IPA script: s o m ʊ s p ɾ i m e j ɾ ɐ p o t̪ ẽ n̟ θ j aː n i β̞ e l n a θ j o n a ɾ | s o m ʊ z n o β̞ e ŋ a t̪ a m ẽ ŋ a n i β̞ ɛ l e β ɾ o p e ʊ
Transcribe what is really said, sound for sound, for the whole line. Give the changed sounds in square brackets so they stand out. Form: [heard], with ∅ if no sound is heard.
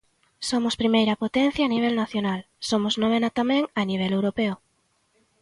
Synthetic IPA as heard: s o m ʊ s p ɾ i m e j ɾ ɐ p o t̪ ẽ n̟ θ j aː n i β̞ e l n a θ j o n a [l] | s o m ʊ z n o β̞ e [n] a t̪ a m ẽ ŋ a n i β̞ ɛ l e [w] ɾ o p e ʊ